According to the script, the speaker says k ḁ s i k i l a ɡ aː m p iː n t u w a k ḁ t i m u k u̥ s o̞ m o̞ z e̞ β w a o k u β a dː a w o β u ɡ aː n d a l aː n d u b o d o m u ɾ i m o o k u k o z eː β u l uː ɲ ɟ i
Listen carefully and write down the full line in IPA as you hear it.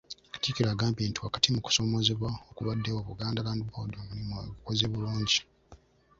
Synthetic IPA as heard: k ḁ t i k i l a ɡ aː m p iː n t u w a k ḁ t i m u k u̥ s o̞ m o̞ z e̞ β w a o k u β a dː e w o β u ɡ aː n d a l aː n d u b o d o m u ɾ i m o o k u k o z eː β u l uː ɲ ɟ i